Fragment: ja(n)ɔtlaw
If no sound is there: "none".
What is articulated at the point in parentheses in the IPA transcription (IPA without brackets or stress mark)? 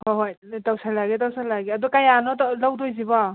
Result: n